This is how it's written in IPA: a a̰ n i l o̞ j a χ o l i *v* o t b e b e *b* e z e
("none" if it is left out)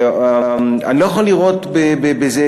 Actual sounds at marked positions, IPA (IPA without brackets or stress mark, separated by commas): ʁ, b